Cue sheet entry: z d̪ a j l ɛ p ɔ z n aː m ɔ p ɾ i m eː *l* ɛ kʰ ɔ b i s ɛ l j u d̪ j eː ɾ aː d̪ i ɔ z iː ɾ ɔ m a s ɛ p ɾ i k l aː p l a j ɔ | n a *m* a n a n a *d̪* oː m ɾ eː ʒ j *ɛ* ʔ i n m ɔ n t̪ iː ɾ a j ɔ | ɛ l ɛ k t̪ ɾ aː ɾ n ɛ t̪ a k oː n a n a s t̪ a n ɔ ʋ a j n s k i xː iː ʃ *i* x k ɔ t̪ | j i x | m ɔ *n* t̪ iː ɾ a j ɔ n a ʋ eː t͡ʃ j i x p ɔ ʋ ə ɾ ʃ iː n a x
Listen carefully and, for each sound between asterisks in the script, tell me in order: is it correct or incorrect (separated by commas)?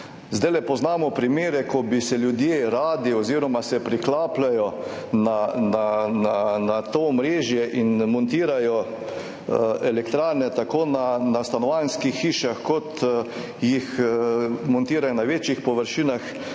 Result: incorrect, incorrect, incorrect, correct, incorrect, correct